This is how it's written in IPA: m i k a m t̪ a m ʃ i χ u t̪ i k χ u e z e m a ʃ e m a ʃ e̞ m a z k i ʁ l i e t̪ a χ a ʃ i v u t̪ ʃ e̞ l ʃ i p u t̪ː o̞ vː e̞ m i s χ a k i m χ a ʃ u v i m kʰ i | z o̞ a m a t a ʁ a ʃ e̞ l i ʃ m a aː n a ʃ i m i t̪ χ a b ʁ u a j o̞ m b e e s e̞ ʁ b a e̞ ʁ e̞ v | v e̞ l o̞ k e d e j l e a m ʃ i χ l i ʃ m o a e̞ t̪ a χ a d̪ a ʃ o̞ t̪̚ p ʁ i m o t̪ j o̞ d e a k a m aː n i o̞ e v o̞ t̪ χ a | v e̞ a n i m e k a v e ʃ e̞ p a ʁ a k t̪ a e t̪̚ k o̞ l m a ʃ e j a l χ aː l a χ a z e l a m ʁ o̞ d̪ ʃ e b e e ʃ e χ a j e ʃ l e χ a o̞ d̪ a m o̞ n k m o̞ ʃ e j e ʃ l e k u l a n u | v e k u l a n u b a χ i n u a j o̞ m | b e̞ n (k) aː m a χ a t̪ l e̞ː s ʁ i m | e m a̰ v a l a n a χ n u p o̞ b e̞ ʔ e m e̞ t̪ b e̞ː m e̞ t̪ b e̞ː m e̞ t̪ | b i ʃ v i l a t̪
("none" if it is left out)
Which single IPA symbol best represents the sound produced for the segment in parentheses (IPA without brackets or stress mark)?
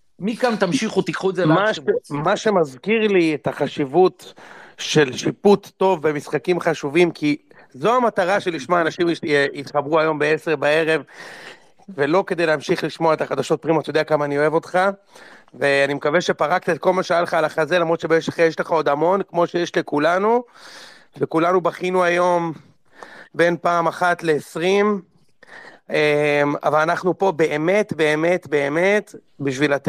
p